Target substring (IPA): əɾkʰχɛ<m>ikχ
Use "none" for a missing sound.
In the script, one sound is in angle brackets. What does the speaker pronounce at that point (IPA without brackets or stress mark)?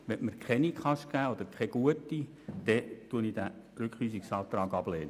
n